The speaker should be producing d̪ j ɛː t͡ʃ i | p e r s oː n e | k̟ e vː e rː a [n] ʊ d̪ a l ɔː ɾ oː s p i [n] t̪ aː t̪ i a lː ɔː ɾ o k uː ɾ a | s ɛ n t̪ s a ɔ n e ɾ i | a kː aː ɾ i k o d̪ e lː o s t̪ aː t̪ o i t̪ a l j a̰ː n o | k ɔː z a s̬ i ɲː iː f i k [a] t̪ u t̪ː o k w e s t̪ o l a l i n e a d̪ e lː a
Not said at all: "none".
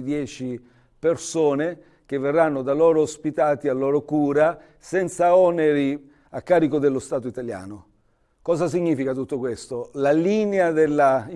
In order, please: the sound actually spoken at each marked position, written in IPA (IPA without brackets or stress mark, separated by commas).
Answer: nː, none, a